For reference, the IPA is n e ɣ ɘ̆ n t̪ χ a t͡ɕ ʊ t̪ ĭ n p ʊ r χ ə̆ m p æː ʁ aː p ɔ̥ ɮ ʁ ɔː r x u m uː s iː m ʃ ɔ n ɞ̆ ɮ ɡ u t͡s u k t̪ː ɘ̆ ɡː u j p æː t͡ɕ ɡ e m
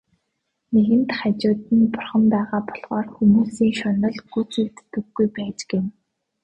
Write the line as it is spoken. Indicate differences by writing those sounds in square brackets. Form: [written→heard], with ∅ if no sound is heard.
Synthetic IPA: n e ɣ ɘ̆ n t̪ χ a t͡ɕ [ʊ→ʊː] t̪ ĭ n p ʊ r χ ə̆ m p æː ʁ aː p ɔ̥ ɮ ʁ ɔː r x u m uː s iː [m→ŋ] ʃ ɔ n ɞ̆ ɮ ɡ u t͡s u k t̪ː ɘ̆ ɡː u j p æː t͡ɕ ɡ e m